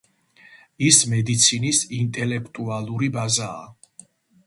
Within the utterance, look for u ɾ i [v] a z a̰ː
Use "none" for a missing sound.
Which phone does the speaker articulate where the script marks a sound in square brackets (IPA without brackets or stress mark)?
b